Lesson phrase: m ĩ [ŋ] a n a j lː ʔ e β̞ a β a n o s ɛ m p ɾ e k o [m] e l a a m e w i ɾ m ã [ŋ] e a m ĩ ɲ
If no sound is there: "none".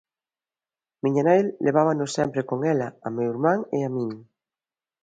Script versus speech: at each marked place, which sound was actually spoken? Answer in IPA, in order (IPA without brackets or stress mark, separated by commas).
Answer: ɲ, ŋ, ŋ